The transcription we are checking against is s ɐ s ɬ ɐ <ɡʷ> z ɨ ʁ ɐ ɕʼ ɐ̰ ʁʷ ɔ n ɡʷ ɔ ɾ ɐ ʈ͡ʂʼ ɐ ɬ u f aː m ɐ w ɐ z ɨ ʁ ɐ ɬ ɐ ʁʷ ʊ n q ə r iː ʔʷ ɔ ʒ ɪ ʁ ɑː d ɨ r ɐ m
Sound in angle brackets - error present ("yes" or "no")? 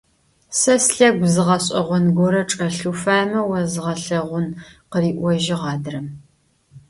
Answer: no